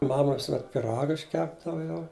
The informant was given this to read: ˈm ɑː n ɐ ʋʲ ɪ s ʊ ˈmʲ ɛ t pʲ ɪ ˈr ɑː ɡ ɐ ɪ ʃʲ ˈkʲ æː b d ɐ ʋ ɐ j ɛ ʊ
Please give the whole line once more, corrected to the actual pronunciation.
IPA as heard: ˈm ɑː m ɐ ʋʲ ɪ s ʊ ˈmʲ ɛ t pʲ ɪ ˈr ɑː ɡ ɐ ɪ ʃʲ ˈkʲ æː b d ɐ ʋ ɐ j ɛ ʊ